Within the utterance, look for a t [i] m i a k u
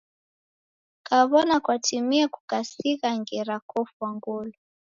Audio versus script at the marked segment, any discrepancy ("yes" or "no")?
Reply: no